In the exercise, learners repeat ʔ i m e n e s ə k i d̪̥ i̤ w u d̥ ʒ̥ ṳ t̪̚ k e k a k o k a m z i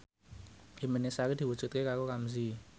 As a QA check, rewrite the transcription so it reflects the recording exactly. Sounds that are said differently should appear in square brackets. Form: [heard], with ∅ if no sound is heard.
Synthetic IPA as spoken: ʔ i m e n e s [a] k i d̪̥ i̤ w u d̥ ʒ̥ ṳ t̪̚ k e k a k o k a m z i